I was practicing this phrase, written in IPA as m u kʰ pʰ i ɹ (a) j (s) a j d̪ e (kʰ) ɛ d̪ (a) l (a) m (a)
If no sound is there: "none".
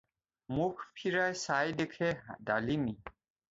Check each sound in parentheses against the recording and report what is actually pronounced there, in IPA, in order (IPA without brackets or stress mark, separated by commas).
a, s, kʰ, a, i, i